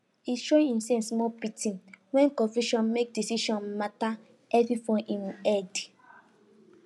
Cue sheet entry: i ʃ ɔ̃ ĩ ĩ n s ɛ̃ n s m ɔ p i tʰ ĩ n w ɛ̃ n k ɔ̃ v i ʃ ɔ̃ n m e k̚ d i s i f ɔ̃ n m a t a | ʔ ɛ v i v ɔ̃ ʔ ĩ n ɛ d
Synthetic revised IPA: i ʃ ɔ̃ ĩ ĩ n s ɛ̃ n s m ɔ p i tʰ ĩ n w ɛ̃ n k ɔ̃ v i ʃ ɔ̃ n m e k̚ d i s i ʃ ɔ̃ n m a t a | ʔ ɛ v i f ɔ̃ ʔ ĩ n ɛ d